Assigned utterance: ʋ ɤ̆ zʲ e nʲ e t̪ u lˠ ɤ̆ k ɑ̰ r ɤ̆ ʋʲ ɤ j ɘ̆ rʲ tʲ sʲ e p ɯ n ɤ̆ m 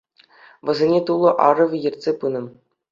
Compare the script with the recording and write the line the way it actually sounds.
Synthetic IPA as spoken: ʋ ɤ̆ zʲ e nʲ e t̪ u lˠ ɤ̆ ʔ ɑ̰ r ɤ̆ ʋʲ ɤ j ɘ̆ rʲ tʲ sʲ e p ɯ n ɤ̆ m